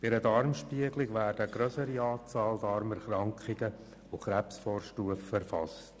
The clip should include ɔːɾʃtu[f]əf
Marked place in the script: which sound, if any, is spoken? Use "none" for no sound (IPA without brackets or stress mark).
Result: none